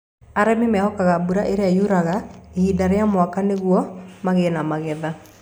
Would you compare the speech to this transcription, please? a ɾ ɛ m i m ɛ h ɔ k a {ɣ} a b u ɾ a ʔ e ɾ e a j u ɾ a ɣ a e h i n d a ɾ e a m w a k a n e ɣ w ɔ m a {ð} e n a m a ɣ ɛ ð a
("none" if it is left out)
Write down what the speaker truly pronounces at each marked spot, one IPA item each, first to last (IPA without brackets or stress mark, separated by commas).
ɣ, ɣ